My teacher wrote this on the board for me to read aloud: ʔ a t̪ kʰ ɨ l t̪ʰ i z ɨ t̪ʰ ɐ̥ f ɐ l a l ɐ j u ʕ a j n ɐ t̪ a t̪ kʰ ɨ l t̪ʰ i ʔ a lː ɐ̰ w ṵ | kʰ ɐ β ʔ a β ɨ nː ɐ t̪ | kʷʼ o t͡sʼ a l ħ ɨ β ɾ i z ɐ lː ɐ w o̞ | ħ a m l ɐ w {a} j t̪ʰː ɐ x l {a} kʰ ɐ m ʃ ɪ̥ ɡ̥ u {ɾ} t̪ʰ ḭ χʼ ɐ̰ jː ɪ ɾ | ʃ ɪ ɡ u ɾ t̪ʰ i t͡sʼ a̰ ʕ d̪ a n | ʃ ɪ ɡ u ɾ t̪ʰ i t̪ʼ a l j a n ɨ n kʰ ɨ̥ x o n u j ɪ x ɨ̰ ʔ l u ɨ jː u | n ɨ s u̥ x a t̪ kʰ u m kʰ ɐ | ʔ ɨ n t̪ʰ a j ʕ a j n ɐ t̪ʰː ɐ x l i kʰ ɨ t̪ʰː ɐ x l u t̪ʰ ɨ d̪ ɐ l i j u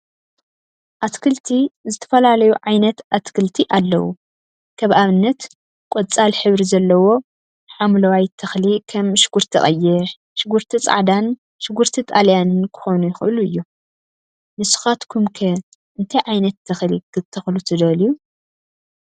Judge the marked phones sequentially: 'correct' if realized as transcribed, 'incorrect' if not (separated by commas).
correct, incorrect, correct